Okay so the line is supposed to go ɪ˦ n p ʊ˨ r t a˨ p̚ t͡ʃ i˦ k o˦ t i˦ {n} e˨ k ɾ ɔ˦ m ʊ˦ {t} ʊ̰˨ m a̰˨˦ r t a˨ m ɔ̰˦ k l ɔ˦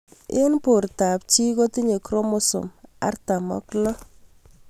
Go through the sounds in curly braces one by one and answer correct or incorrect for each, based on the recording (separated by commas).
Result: incorrect, incorrect